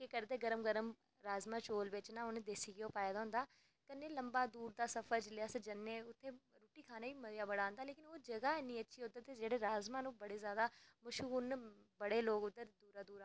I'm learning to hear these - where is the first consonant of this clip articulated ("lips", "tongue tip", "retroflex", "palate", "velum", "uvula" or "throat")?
velum